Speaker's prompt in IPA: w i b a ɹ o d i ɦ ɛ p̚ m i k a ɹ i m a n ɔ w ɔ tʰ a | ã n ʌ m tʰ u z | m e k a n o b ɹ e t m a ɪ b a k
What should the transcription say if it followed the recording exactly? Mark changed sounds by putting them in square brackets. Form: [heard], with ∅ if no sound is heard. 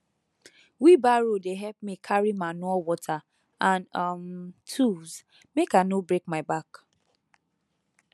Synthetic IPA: w i b a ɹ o d [e] ɦ ɛ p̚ m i [kʰ] a ɹ i m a n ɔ w ɔ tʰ a | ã n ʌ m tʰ u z | m e k a n o b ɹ e [k] m a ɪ b a k